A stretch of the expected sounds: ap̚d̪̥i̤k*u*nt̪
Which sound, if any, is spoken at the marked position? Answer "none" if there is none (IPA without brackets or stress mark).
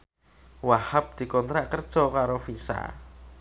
ɔ